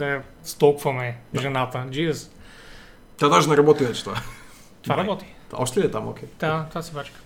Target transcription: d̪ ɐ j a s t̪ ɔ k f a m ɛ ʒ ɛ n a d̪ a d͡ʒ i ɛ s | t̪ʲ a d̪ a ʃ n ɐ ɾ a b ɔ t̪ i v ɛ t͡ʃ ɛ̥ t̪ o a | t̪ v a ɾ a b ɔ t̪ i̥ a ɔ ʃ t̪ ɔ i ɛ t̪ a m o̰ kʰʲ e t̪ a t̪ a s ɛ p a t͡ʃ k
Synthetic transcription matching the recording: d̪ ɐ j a s t̪ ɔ k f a m ɛ ʒ ɛ n a t̪ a d͡ʒ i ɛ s | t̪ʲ a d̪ a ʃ n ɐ ɾ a b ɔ t̪ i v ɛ t͡ʃ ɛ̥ t̪ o a | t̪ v a ɾ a b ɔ t̪ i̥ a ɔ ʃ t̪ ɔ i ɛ t̪ a m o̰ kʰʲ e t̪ a t̪ a s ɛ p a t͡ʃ k